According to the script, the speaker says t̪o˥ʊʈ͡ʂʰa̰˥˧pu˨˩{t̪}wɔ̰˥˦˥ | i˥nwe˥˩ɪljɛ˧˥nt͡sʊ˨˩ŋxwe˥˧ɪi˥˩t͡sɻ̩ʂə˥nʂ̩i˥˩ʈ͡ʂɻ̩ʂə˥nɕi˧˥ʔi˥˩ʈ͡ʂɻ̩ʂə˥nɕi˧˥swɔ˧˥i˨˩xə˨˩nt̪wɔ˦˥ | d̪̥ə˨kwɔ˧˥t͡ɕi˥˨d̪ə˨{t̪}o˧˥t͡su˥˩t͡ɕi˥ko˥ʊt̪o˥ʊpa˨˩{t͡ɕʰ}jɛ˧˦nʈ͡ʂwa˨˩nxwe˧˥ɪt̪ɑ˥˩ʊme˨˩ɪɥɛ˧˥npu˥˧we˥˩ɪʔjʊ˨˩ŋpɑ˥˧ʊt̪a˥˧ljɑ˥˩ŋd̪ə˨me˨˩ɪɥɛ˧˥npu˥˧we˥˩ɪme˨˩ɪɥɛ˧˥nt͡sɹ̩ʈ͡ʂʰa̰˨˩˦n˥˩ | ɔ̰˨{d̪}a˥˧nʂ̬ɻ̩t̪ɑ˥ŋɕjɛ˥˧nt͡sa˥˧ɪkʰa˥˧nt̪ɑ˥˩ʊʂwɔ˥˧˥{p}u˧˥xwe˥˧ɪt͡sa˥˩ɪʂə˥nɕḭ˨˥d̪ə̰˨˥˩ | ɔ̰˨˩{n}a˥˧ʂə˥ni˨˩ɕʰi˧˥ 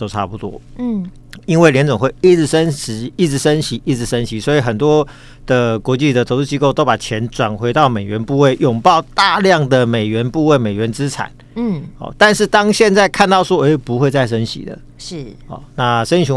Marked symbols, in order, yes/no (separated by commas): yes, no, yes, no, yes, yes